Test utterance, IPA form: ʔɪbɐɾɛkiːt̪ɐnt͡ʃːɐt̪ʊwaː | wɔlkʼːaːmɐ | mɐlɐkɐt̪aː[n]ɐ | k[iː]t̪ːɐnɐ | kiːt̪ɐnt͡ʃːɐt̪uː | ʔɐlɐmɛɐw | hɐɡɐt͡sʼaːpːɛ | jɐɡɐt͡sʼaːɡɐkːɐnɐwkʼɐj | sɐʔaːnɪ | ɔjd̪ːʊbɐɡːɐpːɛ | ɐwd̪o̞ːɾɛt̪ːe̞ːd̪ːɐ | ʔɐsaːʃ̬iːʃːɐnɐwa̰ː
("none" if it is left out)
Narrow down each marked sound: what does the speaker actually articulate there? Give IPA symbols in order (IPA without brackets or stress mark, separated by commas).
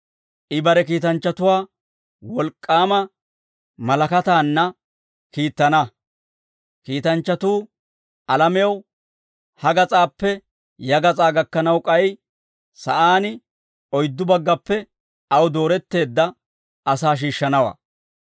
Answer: nː, iː